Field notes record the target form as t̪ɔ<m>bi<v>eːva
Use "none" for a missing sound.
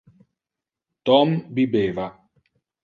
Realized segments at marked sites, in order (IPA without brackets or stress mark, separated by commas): m, b